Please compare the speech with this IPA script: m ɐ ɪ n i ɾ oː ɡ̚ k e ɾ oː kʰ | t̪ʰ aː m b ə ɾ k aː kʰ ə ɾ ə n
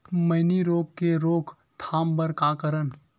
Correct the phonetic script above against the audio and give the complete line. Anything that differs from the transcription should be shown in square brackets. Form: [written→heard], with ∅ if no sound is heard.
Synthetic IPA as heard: m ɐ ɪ n i ɾ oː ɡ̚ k e ɾ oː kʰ | t̪ʰ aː m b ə ɾ k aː [kʰ→k] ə ɾ ə n